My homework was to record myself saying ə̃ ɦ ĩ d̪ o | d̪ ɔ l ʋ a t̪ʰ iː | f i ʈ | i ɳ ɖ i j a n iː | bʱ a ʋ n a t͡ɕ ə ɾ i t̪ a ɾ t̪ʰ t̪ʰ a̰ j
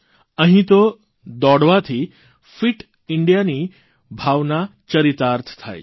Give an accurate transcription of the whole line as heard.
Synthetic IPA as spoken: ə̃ ɦ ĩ t̪ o | d̪ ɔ ɽ ʋ a t̪ʰ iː | f i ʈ | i ɳ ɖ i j a n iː | bʱ a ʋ n a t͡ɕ ə ɾ i t̪ a ɾ t̪ʰ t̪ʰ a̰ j